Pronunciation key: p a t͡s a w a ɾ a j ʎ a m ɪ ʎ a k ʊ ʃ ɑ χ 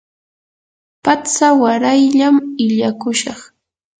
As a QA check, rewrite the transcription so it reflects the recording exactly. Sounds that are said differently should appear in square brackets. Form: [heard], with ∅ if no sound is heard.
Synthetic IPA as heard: p a t͡s a w a ɾ a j ʎ a m ɪ ʎ a k ʊ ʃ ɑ χ